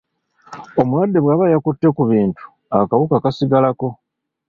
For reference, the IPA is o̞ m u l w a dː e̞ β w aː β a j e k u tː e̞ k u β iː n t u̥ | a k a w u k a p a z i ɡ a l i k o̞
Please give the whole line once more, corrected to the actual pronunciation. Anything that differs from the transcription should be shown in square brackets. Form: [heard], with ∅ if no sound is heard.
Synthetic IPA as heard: o̞ m u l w a dː e̞ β w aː β a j [a] k u tː e̞ k u β iː n t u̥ | a k a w u k a [k] a [s] i ɡ a l [a] k o̞